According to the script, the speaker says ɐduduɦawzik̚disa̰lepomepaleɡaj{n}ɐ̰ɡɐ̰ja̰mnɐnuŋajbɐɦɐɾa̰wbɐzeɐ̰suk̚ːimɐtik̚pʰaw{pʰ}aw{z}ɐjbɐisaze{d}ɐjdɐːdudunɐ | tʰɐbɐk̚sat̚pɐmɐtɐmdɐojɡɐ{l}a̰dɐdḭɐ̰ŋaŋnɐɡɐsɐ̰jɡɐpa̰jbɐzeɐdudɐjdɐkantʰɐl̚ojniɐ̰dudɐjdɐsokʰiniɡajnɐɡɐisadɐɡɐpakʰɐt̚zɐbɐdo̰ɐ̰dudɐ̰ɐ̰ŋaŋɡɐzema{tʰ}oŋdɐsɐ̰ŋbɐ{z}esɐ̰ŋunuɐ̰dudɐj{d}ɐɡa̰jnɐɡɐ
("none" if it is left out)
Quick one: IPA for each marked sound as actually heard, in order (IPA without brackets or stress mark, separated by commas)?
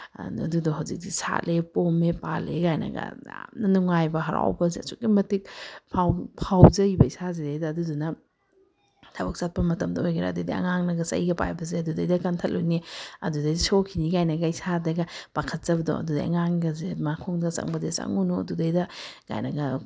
n, pʰ, z, d, ɾ, kʰ, z, d